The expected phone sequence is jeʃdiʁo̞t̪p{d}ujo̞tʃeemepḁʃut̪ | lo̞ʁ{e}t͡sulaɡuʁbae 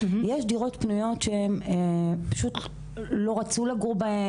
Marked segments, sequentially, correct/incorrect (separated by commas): incorrect, incorrect